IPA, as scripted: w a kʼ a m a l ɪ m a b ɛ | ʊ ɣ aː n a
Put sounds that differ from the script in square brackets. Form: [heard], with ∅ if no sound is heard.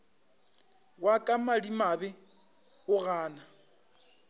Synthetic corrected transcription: w a kʼ a m a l [i] m a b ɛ | ʊ ɣ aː n a